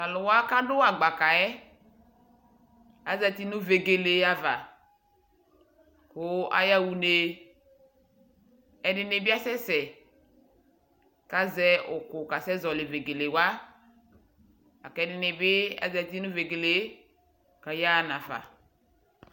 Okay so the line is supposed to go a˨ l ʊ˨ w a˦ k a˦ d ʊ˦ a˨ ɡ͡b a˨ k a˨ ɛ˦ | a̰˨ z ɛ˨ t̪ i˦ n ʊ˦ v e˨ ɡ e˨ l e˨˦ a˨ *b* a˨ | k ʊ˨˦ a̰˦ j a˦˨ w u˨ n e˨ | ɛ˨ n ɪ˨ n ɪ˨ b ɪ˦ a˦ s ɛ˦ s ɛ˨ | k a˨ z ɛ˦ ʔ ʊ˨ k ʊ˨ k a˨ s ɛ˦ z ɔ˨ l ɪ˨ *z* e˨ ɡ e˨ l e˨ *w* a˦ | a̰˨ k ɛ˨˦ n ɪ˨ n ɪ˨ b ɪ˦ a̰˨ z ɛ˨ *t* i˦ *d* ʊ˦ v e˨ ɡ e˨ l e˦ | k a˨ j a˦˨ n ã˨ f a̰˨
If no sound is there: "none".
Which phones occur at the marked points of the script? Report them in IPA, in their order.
v, v, w, t, n

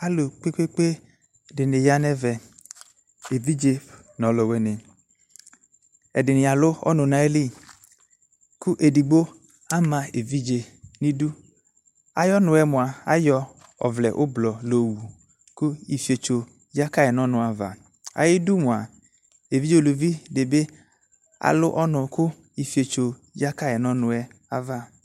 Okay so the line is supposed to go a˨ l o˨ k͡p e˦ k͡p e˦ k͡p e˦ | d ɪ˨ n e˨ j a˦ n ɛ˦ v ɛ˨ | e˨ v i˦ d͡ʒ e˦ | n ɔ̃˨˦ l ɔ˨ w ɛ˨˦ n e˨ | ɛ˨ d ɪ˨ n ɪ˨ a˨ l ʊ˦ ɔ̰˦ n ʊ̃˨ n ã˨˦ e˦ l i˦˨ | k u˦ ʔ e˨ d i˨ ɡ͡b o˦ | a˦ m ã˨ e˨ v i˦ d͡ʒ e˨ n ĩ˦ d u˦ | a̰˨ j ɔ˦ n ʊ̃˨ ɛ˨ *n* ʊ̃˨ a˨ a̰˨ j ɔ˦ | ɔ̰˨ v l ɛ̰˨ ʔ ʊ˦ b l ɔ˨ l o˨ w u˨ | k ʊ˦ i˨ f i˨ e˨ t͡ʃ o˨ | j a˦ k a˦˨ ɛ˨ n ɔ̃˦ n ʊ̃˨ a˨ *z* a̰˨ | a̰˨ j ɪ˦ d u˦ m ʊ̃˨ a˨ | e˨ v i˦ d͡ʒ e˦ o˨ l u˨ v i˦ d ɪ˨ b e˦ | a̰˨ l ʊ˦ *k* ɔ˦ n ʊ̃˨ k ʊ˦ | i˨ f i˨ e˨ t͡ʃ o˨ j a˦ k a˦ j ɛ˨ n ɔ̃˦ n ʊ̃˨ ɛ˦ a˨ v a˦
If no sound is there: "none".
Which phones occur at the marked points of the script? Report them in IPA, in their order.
m, v, ʔ

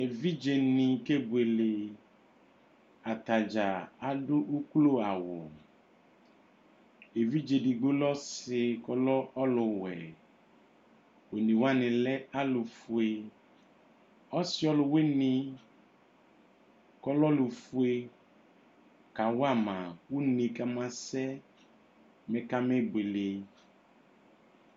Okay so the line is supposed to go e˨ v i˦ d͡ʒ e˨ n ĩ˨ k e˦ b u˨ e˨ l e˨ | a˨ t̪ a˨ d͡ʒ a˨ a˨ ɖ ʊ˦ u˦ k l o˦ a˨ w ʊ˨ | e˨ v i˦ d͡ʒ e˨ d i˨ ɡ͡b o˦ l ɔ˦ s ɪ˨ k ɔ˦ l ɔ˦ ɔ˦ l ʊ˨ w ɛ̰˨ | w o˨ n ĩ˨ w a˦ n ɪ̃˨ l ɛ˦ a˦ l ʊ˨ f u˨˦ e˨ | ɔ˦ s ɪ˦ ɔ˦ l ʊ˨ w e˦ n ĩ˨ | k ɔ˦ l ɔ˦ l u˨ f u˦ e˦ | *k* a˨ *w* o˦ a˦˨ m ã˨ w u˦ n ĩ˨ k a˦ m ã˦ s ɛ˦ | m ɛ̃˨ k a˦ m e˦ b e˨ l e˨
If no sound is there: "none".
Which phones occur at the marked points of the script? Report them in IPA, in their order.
k, w

